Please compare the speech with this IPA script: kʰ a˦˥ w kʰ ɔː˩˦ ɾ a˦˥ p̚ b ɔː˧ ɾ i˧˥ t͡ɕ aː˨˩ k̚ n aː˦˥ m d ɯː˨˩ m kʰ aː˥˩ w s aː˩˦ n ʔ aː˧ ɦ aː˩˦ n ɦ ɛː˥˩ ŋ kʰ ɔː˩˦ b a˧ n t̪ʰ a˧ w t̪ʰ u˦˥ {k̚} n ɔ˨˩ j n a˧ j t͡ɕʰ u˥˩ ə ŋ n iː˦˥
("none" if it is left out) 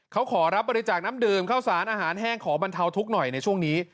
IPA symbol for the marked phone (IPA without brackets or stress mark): k̚